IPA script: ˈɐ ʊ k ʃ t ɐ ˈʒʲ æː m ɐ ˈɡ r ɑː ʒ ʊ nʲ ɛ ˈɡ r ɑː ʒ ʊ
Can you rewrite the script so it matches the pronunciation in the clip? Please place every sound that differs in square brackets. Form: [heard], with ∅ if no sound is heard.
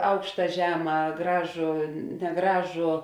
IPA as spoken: ˈɐ ʊ k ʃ t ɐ ˈʒʲ æː m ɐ ˈɡ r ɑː ʒ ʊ nʲ ɛ ˈɡ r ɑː ʒ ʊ